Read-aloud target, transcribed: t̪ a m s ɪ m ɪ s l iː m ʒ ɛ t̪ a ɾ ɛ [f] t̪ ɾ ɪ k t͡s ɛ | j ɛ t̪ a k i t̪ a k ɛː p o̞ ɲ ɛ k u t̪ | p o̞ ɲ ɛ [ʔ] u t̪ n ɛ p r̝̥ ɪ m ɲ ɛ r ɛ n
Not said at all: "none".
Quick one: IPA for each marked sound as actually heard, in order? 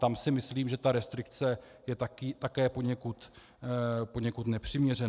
s, k

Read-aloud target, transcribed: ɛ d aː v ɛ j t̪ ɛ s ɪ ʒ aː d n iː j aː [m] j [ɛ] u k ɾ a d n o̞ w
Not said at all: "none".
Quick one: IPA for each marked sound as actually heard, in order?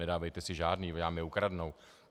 m, ɛ

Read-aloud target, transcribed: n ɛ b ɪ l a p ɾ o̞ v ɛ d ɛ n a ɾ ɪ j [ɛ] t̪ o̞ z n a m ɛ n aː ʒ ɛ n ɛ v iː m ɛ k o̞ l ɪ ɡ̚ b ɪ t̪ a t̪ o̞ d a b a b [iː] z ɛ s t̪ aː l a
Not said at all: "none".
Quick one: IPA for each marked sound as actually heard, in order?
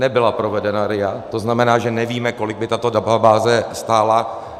a, aː

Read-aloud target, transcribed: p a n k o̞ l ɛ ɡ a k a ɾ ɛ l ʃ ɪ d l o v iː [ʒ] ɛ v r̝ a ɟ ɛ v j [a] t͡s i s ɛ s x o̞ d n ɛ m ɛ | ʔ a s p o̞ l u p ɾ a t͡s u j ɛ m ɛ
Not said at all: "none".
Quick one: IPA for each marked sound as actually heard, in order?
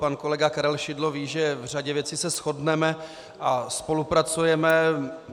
ʒ, ɛ

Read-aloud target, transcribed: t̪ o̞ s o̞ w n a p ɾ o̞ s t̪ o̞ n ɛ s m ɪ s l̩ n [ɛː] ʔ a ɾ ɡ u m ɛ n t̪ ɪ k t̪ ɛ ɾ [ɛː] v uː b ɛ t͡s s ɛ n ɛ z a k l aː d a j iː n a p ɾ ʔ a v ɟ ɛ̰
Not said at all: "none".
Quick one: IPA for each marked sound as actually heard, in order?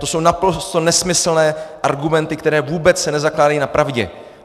ɛː, ɛː

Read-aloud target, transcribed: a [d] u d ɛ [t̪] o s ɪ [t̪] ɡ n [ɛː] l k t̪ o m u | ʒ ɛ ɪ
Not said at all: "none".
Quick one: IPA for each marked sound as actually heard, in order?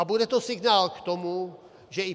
b, t̪, none, aː

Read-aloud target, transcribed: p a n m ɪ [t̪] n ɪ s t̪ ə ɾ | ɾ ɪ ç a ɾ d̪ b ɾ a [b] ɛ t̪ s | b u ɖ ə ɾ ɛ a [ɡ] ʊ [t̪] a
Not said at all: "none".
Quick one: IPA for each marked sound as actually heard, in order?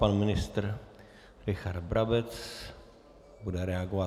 none, b, ɡ, none

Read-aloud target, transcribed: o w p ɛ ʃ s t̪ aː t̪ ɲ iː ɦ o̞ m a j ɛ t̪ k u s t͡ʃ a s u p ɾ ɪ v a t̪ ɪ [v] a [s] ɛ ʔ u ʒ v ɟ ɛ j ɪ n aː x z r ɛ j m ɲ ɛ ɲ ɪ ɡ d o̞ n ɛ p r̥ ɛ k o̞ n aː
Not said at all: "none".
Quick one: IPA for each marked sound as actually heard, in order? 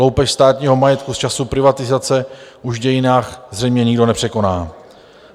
z, t͡s

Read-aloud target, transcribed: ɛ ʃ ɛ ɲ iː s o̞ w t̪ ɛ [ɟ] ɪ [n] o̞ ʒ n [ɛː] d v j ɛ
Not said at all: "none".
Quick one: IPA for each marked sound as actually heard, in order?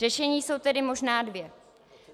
d, m, aː

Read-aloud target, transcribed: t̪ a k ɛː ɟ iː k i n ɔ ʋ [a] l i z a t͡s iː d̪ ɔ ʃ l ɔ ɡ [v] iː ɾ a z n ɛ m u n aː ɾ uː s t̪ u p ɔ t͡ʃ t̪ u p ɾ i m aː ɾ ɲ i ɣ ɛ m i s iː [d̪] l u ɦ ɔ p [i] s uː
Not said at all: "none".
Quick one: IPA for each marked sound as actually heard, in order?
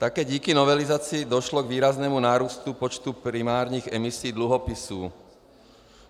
ɛ, ʋ, d̪, i

